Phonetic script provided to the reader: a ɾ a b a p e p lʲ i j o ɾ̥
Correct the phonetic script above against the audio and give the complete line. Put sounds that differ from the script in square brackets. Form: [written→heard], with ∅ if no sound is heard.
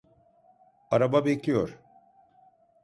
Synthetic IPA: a ɾ a b a [p→b] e [p→c] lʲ i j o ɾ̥